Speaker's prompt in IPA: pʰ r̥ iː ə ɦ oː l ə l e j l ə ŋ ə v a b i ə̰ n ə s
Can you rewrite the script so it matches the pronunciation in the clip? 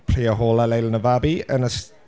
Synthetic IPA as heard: pʰ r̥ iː ə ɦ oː l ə l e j l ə n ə v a b i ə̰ n ə s